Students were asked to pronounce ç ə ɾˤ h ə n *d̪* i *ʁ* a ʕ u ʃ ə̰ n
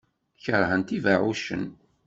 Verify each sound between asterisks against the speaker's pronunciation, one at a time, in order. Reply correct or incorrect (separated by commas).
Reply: incorrect, incorrect